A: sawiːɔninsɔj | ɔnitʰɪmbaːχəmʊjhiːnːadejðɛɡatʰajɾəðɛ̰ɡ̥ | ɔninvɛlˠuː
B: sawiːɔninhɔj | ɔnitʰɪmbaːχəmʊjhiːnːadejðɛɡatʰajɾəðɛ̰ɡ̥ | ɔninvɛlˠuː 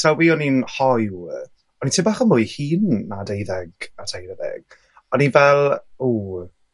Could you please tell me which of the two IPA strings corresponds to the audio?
B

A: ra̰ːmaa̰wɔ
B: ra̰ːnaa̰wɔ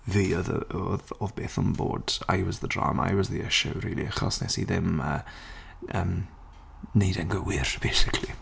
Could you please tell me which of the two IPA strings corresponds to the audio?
A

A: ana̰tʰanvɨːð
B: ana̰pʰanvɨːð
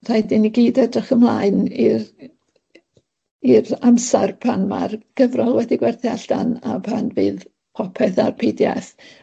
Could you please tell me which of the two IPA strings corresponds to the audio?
B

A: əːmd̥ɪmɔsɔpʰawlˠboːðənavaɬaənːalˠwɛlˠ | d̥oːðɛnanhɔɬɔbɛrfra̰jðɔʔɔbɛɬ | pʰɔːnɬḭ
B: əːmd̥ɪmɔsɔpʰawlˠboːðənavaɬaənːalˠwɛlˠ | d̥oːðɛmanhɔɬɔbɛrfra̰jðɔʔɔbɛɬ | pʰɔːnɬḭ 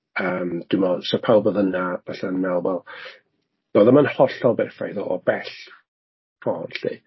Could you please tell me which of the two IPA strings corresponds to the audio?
B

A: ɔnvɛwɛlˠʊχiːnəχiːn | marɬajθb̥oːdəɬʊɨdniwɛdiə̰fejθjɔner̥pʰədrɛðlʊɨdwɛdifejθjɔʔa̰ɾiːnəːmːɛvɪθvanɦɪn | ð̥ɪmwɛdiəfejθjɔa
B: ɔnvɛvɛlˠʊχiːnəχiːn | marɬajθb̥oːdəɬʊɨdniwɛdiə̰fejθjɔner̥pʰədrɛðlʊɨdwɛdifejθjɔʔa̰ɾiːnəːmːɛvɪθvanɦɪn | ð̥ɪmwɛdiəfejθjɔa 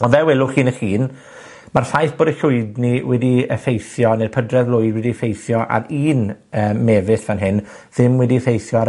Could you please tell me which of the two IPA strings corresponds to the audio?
A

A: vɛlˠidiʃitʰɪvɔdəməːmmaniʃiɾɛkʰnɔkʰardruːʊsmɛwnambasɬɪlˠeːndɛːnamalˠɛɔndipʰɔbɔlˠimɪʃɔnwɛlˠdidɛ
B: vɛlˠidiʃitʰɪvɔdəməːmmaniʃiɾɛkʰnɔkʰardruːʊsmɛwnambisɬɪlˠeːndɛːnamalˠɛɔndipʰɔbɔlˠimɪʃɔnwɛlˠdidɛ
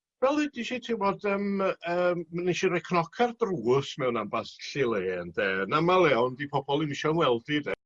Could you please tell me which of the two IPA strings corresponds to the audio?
A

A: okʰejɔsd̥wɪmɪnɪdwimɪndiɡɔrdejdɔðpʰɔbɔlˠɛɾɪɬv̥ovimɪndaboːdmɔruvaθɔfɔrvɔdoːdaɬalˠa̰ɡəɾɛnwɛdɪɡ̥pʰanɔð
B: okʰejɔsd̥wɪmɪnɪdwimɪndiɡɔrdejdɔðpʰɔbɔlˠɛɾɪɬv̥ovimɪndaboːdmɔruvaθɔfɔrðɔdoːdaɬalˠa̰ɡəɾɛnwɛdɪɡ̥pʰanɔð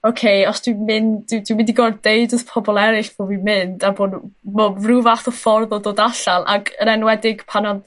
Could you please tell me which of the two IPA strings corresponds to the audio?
B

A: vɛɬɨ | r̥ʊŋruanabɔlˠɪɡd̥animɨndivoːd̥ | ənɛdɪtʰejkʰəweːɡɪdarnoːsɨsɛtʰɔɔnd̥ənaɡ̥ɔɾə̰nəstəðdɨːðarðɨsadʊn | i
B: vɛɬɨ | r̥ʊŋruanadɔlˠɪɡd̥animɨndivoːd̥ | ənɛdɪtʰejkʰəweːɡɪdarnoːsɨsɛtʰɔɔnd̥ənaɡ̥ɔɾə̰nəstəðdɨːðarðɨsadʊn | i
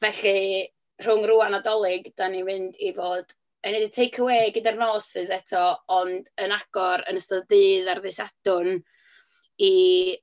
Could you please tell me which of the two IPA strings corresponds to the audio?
B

